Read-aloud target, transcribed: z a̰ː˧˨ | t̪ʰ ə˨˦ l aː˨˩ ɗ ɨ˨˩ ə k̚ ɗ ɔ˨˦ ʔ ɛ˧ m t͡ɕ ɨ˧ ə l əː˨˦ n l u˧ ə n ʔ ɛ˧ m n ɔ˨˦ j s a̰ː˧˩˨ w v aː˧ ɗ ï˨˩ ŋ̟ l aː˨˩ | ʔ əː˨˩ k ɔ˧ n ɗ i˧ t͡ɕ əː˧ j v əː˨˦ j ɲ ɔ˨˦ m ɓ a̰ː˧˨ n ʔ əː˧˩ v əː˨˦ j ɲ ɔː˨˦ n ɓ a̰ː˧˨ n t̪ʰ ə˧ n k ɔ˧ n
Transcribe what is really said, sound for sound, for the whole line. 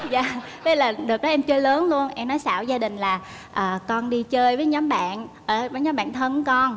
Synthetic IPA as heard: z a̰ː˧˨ | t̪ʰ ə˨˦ l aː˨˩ ɗ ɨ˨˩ ə k̚ ɗ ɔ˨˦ ʔ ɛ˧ m t͡ɕ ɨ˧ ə l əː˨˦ n l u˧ ə n ʔ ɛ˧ m n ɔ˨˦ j s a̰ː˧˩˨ w z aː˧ ɗ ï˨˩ ŋ̟ l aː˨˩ | ʔ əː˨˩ k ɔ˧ n ɗ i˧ t͡ɕ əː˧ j v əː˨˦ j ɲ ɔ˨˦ m ɓ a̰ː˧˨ n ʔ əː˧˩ v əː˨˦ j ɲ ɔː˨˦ m ɓ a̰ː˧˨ n t̪ʰ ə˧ n k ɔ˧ n